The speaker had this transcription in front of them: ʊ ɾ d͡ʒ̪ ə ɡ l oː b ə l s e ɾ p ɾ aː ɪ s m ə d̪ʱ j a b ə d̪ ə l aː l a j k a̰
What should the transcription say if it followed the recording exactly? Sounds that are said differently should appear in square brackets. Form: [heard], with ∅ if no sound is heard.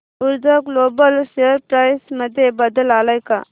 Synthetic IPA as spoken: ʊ ɾ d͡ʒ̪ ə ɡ l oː b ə l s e ɾ p ɾ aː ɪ s m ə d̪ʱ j [e] b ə d̪ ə l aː l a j k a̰